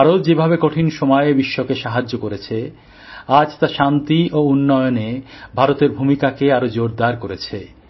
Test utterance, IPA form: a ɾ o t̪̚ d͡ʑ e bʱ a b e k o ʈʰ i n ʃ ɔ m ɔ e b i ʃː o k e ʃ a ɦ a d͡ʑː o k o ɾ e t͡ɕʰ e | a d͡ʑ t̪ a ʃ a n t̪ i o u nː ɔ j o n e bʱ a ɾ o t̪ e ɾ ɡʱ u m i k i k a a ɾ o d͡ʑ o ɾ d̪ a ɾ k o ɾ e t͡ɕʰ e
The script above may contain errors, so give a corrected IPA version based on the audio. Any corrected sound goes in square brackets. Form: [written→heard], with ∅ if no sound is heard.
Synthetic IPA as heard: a ɾ o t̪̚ d͡ʑ e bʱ a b e k o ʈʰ i n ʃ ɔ m ɔ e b i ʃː o k e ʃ a ɦ a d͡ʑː o k o ɾ e t͡ɕʰ e | a d͡ʑ t̪ a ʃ a n t̪ i o u nː ɔ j o n e bʱ a ɾ o t̪ e ɾ [ɡʱ→bʱ] u m i k [i→a] k [a→e] a ɾ o d͡ʑ o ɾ d̪ a ɾ k o ɾ e t͡ɕʰ e